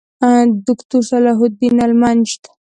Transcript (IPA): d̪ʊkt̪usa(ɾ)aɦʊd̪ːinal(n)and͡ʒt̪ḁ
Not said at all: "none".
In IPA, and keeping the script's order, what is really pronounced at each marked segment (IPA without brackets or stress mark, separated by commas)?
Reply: l, m